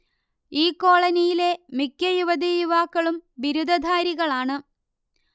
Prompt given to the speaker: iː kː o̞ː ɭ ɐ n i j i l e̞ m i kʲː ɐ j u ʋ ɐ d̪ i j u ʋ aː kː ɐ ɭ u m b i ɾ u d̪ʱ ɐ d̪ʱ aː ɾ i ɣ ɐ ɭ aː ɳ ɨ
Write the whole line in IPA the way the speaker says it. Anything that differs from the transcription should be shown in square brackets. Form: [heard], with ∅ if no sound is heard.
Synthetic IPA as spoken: iː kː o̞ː ɭ ɐ n i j i l e̞ m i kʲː ɐ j u ʋ ɐ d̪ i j u ʋ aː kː ɐ ɭ u m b i ɾ u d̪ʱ ɐ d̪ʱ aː ɾ i ɣ ɐ ɭ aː ɳ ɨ